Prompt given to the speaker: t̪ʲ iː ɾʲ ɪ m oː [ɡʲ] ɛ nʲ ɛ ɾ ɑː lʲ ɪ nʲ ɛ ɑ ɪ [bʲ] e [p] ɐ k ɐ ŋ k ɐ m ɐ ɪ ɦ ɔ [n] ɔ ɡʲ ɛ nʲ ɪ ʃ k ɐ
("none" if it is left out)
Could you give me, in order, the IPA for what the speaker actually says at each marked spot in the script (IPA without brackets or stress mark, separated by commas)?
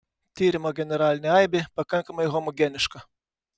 ɡʲ, bʲ, p, m